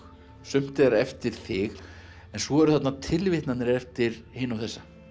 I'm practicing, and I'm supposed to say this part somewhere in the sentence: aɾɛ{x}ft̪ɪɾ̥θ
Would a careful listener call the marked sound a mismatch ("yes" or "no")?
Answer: yes